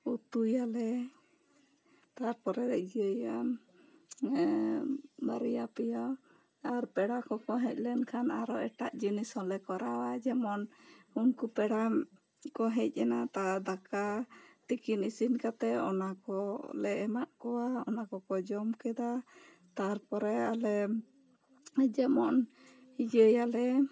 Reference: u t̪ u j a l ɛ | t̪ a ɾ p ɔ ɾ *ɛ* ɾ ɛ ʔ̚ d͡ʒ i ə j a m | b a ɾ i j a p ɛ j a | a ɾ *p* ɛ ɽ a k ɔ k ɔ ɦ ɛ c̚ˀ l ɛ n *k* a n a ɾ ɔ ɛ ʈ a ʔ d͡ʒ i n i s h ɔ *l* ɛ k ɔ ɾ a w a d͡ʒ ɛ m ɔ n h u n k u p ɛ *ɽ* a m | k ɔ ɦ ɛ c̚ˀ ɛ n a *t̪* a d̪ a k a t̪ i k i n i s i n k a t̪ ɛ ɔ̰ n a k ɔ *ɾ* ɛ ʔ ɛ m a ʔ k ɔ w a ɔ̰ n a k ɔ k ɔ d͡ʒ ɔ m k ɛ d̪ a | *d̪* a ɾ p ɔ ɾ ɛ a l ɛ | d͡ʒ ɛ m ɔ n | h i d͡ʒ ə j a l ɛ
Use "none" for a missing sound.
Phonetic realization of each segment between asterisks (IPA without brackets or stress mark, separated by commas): ɛ, p, kʰ, l, ɽ, t̪, l, t̪